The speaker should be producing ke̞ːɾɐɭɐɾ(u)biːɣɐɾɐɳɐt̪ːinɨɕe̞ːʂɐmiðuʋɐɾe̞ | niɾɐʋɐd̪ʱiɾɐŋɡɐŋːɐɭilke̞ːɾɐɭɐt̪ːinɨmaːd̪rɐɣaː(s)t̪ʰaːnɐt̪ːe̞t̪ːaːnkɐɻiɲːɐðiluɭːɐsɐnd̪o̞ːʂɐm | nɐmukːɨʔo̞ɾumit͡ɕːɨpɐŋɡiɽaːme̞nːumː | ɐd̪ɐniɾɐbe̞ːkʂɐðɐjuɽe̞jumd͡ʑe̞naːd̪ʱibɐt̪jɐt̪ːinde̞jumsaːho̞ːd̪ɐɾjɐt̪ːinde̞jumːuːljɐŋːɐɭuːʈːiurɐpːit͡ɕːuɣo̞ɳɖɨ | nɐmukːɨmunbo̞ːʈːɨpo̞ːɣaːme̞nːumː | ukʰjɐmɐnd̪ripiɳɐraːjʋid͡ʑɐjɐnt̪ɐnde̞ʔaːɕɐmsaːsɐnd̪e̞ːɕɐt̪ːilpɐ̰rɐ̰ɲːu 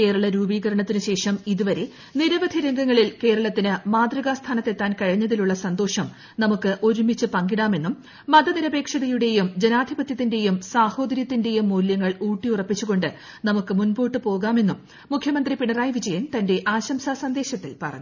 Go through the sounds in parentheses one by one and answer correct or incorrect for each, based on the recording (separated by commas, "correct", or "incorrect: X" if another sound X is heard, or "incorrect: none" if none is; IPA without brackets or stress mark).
incorrect: uː, correct